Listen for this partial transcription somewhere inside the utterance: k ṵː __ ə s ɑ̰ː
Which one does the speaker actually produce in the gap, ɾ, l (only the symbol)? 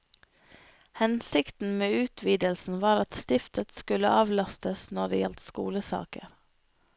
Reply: l